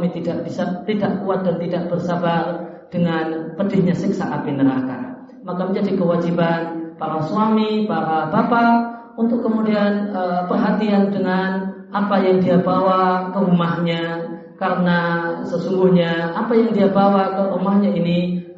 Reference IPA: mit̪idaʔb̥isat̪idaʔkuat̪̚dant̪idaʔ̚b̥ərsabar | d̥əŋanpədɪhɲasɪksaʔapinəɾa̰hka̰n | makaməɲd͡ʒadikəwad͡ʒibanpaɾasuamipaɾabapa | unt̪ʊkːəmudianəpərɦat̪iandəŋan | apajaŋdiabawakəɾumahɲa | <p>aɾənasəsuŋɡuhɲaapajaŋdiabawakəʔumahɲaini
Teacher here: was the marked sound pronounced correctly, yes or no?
no